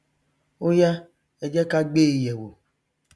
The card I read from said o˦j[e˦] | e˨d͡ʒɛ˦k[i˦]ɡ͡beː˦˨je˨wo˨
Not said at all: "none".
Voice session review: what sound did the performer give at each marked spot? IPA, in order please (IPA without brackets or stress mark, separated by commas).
a˦, a˦